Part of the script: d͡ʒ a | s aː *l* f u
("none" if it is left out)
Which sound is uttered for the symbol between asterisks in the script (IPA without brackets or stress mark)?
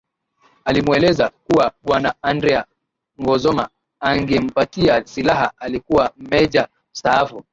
none